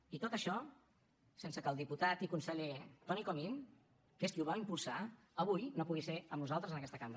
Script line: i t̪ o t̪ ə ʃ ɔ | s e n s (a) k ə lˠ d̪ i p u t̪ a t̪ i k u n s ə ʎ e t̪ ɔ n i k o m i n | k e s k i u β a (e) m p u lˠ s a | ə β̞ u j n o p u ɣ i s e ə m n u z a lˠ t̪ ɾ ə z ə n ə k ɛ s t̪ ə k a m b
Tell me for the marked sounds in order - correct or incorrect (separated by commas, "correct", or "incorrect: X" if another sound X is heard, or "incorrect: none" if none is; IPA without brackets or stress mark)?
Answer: incorrect: ə, incorrect: i